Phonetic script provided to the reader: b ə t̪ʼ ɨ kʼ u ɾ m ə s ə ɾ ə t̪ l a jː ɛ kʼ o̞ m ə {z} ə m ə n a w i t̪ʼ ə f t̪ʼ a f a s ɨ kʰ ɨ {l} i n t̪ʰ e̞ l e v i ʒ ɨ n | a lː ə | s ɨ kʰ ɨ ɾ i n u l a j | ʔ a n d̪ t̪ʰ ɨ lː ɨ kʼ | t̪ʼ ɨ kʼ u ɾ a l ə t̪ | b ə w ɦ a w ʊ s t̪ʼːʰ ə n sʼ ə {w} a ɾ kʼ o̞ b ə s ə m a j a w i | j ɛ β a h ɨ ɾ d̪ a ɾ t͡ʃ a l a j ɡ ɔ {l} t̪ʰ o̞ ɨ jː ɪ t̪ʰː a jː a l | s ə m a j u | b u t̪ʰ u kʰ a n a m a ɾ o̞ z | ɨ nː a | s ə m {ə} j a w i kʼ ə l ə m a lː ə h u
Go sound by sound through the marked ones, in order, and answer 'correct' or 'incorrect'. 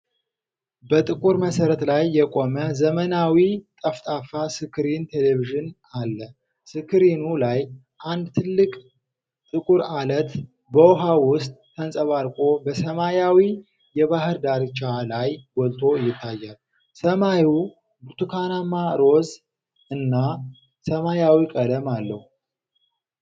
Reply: correct, incorrect: ɾ, incorrect: β, correct, incorrect: a

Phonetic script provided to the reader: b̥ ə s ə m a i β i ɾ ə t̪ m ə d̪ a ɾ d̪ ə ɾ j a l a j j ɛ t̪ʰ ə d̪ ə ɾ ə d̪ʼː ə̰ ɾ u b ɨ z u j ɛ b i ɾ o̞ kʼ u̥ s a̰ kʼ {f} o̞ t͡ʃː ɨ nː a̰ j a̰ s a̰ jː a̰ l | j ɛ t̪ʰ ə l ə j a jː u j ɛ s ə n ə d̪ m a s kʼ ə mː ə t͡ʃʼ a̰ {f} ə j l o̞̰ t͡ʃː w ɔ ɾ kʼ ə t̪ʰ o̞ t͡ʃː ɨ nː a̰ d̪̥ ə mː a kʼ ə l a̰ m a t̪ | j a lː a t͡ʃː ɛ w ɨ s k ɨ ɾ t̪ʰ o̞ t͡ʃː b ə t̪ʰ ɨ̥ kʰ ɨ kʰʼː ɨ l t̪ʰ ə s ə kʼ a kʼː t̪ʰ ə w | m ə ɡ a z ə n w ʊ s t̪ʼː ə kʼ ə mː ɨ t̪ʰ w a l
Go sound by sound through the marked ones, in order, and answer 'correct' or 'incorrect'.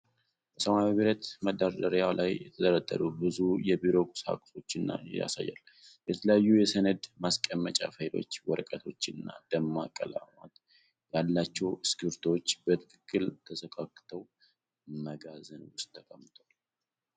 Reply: incorrect: s, correct

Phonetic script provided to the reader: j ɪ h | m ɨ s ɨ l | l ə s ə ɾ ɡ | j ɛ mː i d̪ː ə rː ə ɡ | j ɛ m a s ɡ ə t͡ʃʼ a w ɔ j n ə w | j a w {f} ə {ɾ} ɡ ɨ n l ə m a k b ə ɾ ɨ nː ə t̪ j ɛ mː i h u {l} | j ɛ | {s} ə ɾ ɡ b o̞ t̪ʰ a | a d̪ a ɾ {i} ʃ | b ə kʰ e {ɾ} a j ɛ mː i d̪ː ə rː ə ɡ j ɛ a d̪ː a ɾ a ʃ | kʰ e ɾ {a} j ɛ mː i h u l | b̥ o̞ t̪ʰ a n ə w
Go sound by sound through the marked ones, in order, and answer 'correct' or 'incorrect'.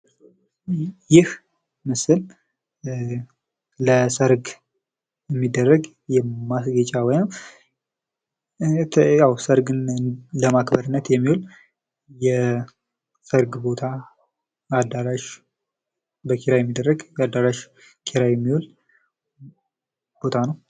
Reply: incorrect: s, correct, correct, correct, incorrect: a, correct, correct

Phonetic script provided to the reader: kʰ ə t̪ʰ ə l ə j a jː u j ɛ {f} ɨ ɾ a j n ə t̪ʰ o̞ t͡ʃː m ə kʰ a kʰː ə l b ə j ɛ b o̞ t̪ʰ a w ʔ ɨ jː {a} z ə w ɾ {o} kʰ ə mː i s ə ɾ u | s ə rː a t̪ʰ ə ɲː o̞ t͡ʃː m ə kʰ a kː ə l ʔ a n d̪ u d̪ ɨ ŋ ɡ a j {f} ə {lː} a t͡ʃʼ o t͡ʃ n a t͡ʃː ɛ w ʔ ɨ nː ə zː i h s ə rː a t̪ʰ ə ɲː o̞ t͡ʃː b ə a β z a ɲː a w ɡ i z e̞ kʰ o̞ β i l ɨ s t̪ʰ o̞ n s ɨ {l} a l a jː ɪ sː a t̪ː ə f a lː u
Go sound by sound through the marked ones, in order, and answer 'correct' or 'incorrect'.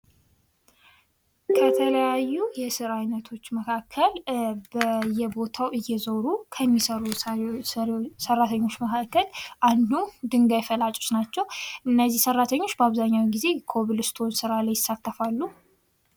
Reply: incorrect: s, incorrect: ɛ, incorrect: u, correct, incorrect: l, incorrect: ɾ

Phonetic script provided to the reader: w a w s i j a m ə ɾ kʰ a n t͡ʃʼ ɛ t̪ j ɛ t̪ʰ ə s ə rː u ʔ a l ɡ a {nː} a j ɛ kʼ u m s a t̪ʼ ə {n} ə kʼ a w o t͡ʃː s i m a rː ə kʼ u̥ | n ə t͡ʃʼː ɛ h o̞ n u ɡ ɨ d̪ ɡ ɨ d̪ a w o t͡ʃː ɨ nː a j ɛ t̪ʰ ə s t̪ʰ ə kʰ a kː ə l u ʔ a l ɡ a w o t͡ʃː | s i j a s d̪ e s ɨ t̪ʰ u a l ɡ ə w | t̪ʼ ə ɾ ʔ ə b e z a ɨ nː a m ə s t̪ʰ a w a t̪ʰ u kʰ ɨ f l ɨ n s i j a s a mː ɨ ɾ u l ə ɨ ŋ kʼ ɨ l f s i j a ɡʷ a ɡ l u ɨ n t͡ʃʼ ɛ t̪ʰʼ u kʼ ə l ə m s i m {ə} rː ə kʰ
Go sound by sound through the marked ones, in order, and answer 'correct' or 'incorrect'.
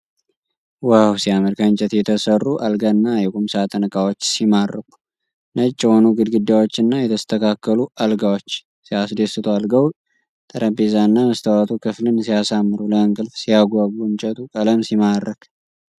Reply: correct, correct, incorrect: a

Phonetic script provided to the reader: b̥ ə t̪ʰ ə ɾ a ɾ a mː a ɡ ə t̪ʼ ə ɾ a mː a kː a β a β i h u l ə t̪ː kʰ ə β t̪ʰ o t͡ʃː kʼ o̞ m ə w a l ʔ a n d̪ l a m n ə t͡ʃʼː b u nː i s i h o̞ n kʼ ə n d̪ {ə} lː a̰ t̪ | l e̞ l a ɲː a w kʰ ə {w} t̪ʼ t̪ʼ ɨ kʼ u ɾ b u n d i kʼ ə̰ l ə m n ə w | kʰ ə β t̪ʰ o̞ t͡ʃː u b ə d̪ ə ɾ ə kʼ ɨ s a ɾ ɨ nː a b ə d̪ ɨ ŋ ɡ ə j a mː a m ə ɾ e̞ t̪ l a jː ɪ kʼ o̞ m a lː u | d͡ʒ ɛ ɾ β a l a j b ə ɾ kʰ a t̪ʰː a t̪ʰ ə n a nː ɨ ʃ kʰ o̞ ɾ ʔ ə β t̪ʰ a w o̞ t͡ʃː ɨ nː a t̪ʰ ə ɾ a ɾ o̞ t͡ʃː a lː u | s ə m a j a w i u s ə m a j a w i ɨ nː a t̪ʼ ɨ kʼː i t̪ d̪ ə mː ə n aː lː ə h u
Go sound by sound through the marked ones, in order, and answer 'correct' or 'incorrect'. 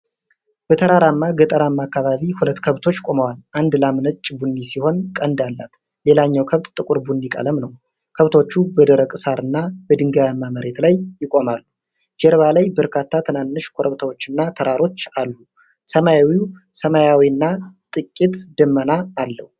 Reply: incorrect: a, incorrect: β

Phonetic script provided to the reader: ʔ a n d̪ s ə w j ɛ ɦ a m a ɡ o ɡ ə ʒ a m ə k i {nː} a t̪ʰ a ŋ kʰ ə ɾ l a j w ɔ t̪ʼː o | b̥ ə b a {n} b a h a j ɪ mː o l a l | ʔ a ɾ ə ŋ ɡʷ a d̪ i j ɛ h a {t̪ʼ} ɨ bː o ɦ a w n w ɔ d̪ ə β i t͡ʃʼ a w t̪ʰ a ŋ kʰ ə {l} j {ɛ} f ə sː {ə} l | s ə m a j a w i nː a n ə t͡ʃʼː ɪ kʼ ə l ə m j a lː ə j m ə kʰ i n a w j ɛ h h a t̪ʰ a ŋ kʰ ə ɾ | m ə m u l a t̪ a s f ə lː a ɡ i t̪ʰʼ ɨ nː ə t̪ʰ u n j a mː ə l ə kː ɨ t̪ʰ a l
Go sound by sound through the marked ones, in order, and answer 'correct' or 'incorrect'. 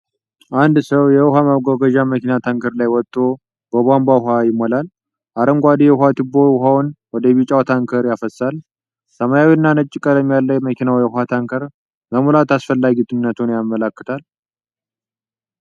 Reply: incorrect: n, incorrect: m, incorrect: t̪, incorrect: ɾ, incorrect: a, incorrect: a

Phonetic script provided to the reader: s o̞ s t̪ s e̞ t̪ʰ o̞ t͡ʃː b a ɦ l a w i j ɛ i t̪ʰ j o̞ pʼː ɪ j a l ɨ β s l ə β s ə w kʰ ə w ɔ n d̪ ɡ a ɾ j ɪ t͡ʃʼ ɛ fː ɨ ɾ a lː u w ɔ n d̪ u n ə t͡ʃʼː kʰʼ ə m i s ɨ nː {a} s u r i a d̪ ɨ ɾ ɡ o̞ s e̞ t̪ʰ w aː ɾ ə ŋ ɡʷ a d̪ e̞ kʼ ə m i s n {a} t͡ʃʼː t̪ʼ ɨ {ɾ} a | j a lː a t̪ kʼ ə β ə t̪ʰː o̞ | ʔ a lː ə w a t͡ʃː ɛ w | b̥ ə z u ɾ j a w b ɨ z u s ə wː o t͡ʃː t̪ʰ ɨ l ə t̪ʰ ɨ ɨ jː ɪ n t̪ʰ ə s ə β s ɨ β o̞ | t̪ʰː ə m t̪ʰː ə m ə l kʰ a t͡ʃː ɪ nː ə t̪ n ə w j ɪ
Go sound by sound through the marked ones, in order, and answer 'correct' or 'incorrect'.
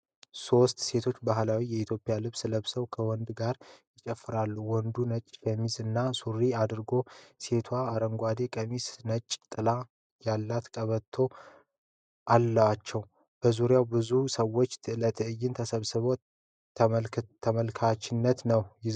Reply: correct, incorrect: ə, incorrect: l

